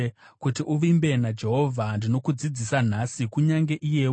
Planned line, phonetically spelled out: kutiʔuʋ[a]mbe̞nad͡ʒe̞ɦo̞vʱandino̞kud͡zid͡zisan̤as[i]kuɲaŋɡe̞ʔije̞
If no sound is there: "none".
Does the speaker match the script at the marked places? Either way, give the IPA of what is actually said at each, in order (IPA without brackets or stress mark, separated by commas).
i, i